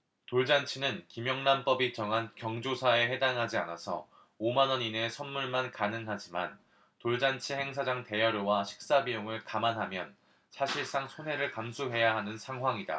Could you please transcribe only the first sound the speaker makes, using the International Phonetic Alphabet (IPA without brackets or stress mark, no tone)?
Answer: t